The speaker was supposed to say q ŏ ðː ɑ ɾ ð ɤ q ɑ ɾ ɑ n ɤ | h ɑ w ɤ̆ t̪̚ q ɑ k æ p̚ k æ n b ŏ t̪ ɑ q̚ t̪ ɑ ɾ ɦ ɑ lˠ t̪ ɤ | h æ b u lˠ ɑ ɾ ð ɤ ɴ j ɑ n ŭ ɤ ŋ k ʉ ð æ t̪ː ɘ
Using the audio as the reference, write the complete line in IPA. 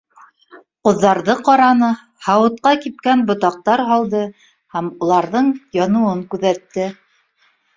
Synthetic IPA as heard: q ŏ ðː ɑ ɾ ð ɤ q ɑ ɾ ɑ n ɤ | h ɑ w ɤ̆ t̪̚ q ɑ k i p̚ k æ n b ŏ t̪ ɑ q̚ t̪ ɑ ɾ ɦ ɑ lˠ d̪ ɤ | h æ m u lˠ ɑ ɾ ð ɤ ɴ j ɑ n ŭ ɤ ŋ k ʉ ð æ t̪ː ɘ